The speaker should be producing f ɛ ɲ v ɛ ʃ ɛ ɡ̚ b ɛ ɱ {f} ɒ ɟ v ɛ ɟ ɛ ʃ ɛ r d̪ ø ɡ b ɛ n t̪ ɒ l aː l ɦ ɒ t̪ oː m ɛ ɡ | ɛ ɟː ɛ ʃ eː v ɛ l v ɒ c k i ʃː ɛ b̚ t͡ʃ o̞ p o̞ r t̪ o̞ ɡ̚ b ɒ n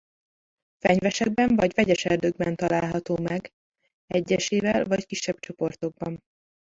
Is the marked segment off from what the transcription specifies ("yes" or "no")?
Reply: yes